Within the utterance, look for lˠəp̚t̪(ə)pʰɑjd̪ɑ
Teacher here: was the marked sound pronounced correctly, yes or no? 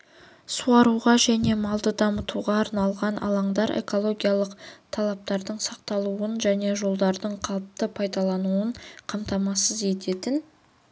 yes